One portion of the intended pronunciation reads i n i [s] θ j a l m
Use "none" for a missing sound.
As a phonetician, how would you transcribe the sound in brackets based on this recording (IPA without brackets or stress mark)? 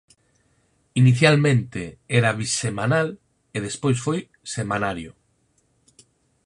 none